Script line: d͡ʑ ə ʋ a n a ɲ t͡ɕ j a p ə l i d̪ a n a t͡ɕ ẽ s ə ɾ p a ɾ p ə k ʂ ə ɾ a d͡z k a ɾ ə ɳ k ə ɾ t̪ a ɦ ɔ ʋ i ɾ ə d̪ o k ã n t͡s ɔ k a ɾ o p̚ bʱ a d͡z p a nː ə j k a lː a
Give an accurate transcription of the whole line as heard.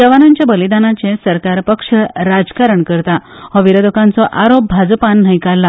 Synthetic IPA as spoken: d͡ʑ ə ʋ a n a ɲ t͡ɕ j a b ə l i d̪ a n a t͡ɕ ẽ s ə ɾ k a ɾ p ə k ʂ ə ɾ a d͡z k a ɾ ə ɳ k ə ɾ t̪ a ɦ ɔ ʋ i ɾ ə d̪ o k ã n t͡s ɔ ʔ a ɾ o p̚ bʱ a d͡z p a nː ə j k a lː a